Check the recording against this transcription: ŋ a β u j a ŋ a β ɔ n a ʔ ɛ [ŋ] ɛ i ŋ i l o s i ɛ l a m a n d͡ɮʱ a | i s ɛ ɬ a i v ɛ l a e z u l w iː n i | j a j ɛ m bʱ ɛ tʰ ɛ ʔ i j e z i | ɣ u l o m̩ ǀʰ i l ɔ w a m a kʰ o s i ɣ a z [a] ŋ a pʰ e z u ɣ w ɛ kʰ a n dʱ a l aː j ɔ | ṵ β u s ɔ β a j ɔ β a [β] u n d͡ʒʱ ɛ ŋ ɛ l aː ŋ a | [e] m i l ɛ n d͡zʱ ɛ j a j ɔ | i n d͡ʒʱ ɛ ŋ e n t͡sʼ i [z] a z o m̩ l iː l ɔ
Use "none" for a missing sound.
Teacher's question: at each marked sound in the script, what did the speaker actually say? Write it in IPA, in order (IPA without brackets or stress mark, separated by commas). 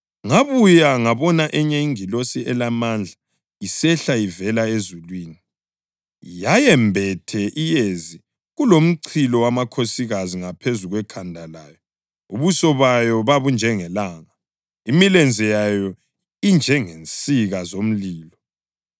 ɲ, i, β, i, ɣ